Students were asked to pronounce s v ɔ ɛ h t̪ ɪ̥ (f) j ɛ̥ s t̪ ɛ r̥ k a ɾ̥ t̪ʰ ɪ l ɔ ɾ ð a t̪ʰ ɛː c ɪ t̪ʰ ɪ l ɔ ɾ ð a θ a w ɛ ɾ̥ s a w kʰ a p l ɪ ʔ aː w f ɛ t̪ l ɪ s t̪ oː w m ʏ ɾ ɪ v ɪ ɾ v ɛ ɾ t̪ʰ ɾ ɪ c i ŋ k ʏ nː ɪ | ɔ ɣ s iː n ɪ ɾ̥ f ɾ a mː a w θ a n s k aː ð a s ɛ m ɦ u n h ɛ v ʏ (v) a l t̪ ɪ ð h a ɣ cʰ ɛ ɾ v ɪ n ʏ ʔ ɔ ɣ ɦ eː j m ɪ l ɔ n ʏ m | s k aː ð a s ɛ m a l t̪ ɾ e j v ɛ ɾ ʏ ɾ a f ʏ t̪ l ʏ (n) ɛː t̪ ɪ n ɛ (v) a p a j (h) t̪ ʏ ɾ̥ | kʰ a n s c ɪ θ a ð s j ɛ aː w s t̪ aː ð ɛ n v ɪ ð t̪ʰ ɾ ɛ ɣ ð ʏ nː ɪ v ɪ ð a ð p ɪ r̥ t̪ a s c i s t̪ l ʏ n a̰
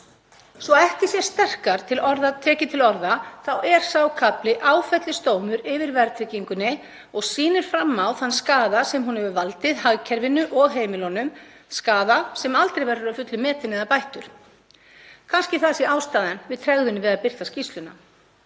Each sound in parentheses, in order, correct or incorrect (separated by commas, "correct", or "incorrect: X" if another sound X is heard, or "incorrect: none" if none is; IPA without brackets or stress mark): incorrect: s, correct, incorrect: m, incorrect: ð, correct